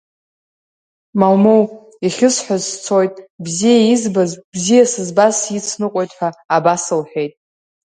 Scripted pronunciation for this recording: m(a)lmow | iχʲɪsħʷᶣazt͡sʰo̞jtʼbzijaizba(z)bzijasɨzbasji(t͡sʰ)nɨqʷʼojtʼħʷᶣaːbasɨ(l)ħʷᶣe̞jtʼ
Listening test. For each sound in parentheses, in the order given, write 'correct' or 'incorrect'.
correct, correct, correct, correct

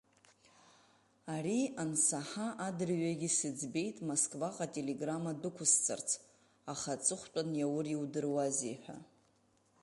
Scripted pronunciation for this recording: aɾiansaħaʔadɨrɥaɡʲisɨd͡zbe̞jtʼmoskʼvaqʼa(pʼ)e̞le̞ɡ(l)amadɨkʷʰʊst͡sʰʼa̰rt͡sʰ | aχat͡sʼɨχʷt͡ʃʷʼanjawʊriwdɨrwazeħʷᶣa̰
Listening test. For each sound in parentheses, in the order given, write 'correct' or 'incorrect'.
incorrect, incorrect

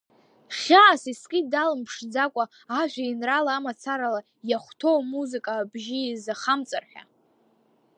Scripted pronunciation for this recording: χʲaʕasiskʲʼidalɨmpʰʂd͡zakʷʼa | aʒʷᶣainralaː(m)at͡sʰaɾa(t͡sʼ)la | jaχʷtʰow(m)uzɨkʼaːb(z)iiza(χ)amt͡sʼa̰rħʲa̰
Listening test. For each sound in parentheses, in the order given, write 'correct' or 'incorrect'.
correct, incorrect, correct, incorrect, correct

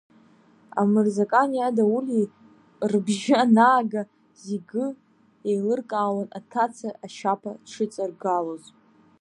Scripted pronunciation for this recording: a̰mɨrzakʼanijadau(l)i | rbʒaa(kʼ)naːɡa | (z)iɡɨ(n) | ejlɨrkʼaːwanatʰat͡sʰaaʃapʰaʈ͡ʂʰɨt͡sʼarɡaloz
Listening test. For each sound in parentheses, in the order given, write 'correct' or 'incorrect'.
correct, incorrect, correct, incorrect

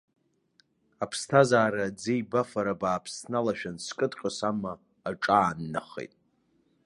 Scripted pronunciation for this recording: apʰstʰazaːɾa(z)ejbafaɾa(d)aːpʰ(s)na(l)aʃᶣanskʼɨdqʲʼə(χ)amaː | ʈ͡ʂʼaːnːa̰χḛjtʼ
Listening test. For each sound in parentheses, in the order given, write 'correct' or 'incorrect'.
incorrect, incorrect, correct, correct, incorrect

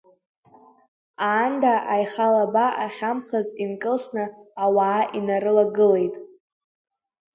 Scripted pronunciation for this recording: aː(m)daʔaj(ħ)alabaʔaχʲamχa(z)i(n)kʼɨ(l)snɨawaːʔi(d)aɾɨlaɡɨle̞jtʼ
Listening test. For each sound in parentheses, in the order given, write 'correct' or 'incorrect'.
incorrect, incorrect, correct, correct, correct, incorrect

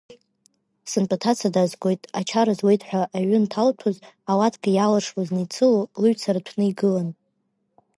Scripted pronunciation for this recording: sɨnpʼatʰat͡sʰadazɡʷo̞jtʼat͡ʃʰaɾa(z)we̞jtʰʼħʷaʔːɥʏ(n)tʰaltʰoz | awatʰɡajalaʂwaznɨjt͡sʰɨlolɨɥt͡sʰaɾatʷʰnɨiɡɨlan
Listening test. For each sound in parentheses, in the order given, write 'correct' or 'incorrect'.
correct, correct

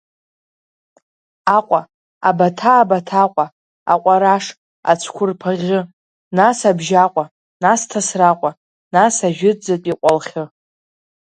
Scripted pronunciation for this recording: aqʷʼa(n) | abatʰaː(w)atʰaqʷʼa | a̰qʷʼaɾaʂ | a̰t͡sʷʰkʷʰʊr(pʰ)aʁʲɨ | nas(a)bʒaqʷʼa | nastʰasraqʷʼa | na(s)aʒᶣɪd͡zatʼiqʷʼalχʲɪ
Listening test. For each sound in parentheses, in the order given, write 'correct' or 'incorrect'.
incorrect, incorrect, correct, correct, correct

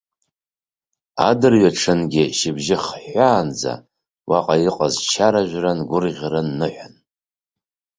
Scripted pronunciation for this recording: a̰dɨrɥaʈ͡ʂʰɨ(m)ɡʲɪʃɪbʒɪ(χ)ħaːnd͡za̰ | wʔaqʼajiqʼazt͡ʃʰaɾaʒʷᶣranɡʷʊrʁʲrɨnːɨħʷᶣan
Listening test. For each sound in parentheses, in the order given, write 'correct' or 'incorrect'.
incorrect, correct

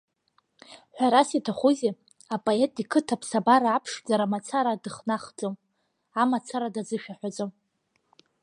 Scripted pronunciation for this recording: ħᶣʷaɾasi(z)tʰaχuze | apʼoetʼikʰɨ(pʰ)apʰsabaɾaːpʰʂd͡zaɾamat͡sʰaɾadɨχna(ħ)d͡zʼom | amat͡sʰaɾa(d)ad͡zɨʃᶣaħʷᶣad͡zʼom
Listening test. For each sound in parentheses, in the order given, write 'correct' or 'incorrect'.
incorrect, incorrect, incorrect, correct

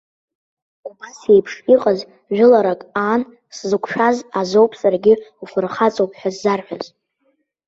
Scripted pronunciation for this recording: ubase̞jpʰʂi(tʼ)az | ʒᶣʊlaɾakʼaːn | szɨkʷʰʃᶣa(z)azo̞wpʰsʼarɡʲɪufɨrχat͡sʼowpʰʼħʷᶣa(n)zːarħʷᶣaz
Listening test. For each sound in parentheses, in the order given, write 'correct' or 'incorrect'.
incorrect, correct, incorrect

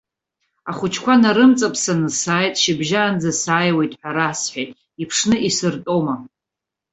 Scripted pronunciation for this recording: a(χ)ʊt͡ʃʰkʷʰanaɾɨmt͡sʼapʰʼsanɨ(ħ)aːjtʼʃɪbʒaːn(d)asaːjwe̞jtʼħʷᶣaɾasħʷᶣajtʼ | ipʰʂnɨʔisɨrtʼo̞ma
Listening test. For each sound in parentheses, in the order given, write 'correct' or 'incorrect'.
correct, incorrect, incorrect

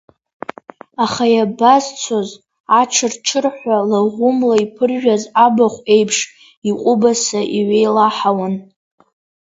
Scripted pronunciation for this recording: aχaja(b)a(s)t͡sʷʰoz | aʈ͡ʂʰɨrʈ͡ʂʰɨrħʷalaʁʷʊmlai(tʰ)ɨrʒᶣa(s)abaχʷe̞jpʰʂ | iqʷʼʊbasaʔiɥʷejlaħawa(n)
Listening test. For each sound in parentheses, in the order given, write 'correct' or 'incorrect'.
correct, incorrect, incorrect, incorrect, correct

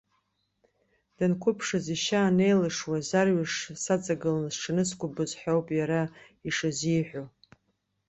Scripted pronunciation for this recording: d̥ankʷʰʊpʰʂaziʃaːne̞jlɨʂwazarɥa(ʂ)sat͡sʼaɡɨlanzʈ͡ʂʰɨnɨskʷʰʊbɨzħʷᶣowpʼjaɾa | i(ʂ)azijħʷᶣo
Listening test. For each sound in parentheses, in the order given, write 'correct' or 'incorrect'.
correct, correct

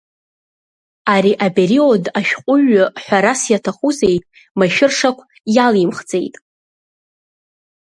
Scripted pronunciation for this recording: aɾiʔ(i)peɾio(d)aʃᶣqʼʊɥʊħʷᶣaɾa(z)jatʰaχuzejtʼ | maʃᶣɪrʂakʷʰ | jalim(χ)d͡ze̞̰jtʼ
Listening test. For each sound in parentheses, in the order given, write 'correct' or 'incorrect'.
incorrect, correct, incorrect, correct

